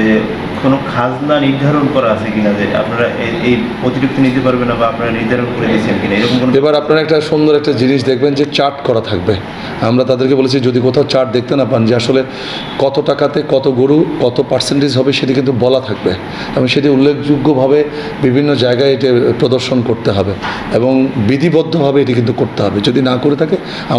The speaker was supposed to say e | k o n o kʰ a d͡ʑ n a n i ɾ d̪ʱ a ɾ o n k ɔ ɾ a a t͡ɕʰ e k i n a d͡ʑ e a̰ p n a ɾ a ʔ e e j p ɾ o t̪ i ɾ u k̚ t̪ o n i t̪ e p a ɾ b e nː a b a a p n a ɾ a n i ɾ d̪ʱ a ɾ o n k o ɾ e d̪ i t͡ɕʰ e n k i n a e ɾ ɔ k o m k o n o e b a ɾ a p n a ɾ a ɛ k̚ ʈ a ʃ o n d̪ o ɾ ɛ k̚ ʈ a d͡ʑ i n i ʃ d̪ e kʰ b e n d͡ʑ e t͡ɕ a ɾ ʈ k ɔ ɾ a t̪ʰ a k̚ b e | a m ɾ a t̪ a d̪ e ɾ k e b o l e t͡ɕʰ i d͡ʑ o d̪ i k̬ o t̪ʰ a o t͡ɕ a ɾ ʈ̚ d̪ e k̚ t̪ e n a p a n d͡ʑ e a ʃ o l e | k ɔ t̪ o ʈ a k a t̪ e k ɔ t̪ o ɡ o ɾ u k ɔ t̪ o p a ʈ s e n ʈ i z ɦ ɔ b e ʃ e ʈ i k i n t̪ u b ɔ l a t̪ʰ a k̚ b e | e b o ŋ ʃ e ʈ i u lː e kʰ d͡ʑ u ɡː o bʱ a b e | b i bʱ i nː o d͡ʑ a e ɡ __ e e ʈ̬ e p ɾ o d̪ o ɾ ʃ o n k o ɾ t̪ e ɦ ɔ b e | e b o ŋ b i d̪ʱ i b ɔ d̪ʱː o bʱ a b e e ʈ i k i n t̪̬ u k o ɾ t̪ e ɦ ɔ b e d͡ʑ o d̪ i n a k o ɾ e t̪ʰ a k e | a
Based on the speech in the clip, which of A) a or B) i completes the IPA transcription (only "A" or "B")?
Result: A